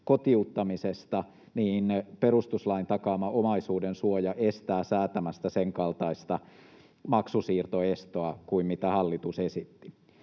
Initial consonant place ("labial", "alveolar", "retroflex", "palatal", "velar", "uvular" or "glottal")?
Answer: velar